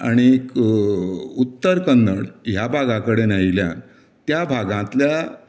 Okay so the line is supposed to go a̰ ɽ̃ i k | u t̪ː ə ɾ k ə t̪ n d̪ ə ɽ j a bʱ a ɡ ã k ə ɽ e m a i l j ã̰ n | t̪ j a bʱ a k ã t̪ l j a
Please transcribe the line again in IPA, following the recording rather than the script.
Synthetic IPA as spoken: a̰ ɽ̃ i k | u t̪ː ə ɾ k ə n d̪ ə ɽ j a bʱ a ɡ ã k ə ɽ e n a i l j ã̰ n | t̪ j a bʱ a ɡ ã t̪ l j a